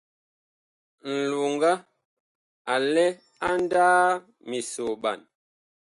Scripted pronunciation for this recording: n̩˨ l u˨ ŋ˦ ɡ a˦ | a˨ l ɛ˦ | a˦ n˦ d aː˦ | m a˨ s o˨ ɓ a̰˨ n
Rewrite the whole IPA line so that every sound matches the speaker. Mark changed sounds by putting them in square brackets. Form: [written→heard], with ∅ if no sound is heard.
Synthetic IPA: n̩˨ l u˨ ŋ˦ ɡ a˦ | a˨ l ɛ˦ | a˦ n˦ d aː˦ | m [a˨→i˨] s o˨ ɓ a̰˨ n

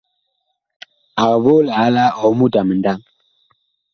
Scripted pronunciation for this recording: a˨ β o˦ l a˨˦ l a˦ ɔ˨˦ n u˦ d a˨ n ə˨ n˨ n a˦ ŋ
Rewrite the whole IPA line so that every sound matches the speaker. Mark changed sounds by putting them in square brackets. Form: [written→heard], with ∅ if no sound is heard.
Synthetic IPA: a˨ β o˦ l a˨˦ l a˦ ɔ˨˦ [n→m] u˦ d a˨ [n→m] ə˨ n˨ [n→d] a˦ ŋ

